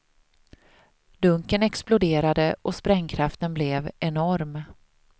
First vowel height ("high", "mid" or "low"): mid